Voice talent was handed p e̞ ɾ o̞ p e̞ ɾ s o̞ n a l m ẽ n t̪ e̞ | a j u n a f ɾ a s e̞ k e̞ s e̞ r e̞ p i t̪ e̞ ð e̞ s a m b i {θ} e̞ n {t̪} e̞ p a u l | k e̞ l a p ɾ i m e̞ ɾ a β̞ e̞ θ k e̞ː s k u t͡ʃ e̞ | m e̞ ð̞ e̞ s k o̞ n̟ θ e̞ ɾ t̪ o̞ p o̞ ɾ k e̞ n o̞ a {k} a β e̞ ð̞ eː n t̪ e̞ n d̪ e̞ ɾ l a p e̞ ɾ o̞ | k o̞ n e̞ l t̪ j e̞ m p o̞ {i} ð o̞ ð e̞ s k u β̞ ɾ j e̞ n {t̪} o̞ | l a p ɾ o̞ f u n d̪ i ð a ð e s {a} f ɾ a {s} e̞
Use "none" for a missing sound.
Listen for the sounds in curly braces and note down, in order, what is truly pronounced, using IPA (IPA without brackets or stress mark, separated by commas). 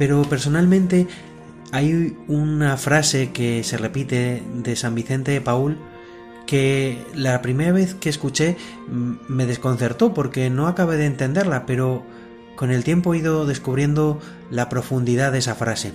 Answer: θ, t̪, k, i, d̪, a, s